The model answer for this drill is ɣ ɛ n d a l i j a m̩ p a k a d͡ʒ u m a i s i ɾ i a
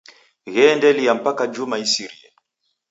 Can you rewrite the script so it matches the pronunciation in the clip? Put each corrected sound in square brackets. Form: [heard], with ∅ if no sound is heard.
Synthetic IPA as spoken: ɣ ɛ n d [ɛ] l i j a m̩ p a k a d͡ʒ u m a i s i ɾ i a